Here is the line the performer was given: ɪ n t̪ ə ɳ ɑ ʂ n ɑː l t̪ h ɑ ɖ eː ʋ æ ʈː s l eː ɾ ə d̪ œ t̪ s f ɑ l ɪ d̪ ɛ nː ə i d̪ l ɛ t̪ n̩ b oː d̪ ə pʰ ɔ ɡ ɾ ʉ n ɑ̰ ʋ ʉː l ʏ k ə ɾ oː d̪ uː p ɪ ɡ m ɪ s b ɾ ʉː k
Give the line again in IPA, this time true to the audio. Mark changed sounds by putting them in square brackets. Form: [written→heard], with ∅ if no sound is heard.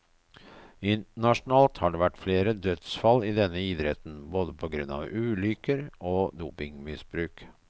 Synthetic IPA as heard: ɪ n t̪ ə ɳ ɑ ʂ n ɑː l t̪ h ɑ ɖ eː ʋ æ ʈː [s→f] l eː ɾ ə d̪ œ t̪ s f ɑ l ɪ d̪ ɛ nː ə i d̪ [l→ɾ] ɛ t̪ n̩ b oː d̪ ə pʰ ɔ ɡ ɾ ʉ n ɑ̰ ʋ ʉː l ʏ k ə ɾ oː d̪ uː p ɪ [ɡ→ŋ] m ɪ s b ɾ ʉː k